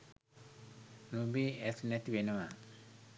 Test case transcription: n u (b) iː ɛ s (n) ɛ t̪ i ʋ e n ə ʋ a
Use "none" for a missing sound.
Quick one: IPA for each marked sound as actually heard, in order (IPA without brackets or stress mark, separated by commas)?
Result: b, n